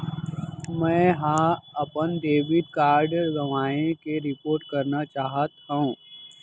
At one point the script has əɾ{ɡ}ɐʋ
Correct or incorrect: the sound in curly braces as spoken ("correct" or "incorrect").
correct